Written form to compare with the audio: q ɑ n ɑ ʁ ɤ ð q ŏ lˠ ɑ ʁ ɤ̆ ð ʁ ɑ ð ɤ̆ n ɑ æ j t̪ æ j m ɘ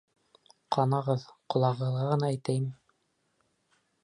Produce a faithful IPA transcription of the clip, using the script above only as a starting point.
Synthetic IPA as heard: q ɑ n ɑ ʁ ɤ ð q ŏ lˠ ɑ ʁ ɤ̆ ð ʁ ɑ ʁ ɤ̆ n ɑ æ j t̪ æ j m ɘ